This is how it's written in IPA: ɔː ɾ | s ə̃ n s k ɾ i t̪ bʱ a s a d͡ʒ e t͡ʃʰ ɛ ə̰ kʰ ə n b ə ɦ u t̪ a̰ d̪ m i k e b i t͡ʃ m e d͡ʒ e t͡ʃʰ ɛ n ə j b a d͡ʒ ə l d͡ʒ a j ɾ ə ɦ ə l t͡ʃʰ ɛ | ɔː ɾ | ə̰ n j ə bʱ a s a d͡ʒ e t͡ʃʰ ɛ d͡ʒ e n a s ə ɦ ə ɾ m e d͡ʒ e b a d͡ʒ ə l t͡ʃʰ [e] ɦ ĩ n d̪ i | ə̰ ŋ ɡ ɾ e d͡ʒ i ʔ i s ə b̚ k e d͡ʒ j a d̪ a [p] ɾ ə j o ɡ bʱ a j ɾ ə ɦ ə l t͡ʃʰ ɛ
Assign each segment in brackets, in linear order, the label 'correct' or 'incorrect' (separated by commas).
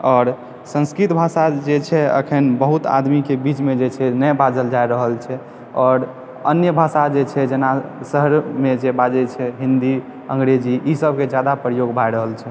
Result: incorrect, correct